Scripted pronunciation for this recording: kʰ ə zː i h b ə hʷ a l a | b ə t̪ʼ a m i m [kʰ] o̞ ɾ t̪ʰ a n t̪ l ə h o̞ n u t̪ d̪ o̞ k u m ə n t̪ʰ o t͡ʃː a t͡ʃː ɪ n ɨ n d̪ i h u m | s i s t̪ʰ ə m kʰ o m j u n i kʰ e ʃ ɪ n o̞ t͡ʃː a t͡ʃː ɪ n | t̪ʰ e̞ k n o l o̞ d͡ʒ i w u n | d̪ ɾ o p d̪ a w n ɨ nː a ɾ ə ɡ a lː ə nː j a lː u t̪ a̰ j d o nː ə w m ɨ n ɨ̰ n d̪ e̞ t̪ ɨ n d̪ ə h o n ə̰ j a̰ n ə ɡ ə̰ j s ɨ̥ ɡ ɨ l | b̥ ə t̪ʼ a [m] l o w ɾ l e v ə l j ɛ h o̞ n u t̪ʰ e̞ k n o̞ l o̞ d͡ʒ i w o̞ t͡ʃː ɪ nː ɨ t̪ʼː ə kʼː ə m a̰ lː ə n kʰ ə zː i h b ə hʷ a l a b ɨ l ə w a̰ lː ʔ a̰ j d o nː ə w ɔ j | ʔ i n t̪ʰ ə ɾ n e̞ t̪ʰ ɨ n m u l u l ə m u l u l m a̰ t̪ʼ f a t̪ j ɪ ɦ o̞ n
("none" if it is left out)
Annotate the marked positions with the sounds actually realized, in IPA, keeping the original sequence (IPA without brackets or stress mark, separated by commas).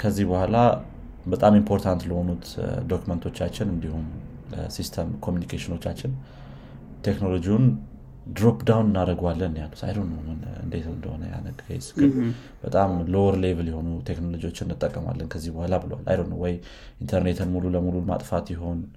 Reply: pʰ, m